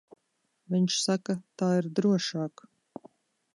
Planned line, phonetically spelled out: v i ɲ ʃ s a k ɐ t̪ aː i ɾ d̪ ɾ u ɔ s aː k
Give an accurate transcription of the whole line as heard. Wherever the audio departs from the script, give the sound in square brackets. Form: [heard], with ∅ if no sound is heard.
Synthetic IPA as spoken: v i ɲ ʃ s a k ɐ t̪ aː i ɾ d̪ ɾ u ɔ [ʃ] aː k